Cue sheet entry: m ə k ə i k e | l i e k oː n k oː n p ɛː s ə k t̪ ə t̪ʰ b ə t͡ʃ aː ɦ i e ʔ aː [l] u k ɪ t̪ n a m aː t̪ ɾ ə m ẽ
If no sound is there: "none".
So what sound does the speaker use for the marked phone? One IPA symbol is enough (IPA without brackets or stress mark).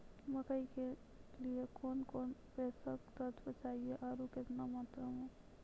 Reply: ɾ